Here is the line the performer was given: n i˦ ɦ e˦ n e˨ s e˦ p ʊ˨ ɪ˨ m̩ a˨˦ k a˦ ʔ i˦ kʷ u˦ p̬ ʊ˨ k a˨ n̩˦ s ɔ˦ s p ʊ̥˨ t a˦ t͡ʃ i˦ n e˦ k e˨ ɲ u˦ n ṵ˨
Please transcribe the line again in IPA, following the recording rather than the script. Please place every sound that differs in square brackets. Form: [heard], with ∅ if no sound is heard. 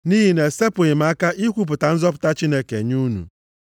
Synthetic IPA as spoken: n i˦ ɦ [i˦] n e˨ s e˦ p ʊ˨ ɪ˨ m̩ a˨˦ k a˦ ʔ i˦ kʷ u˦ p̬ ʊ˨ [t] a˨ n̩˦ [z] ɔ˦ [∅] p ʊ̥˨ t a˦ t͡ʃ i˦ n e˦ k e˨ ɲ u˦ n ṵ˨